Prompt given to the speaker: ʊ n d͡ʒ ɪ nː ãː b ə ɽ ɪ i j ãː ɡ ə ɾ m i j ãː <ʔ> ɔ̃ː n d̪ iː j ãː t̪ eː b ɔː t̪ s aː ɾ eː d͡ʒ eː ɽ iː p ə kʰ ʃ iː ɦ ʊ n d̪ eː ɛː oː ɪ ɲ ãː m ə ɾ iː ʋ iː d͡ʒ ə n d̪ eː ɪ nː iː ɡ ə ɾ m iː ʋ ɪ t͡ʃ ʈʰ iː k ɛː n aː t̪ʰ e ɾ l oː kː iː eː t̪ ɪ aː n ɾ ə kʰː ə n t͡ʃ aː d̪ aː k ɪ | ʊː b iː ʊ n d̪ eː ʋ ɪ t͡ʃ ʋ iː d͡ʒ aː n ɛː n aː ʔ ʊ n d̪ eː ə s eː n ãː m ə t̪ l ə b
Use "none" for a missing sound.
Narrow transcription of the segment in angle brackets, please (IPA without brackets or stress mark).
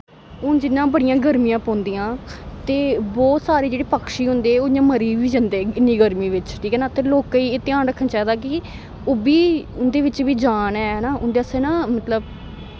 p